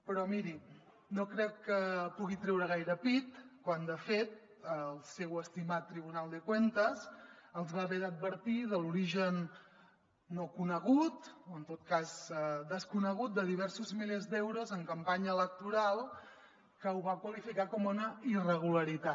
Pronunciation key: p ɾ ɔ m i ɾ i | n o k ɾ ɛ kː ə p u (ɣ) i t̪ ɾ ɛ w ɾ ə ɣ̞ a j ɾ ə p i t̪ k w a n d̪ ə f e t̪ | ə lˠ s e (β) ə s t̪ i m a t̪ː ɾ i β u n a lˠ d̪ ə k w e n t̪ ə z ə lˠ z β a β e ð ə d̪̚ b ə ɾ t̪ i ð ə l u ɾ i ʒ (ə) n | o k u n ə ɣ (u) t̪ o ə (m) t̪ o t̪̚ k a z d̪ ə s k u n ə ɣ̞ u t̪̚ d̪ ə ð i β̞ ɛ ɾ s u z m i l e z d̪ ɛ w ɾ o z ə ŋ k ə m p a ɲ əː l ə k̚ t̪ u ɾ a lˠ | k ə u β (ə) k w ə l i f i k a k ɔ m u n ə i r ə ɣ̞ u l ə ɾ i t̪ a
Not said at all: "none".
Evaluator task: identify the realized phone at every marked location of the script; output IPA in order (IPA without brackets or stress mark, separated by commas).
ɣ, w, ə, u, n, a